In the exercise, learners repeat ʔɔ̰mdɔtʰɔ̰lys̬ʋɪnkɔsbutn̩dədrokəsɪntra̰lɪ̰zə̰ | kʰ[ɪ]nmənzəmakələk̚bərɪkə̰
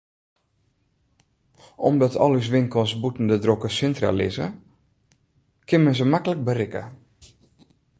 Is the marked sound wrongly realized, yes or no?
no